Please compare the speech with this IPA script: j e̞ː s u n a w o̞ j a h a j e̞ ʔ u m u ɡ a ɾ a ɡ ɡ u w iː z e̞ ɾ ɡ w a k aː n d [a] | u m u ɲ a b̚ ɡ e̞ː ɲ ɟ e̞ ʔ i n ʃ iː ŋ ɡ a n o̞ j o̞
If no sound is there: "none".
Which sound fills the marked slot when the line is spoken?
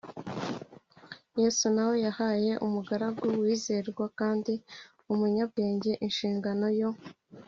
i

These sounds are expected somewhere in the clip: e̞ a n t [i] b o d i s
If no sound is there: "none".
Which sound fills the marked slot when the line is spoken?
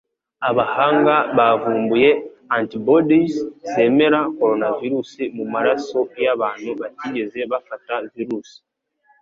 i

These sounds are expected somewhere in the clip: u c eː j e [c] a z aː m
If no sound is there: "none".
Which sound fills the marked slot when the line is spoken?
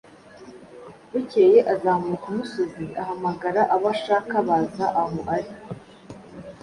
ʔ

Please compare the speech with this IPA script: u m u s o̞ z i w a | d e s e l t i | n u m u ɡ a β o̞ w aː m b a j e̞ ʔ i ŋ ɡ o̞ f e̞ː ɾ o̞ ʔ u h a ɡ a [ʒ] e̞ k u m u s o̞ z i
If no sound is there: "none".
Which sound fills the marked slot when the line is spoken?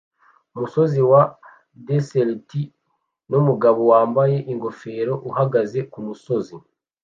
z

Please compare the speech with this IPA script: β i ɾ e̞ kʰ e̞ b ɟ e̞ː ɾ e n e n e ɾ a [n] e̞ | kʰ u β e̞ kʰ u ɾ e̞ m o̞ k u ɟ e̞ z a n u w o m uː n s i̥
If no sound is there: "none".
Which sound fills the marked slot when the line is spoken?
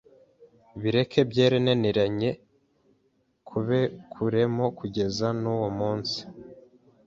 ɲ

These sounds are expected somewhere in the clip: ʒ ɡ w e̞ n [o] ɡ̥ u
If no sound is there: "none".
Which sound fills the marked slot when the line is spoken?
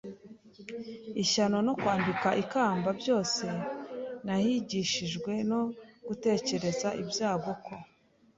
o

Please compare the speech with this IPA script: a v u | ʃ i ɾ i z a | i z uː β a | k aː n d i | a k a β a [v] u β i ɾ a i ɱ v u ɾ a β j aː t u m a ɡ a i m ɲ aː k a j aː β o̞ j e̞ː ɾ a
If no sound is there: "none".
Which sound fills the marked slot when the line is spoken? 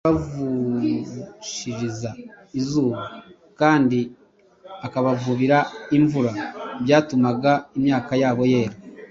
v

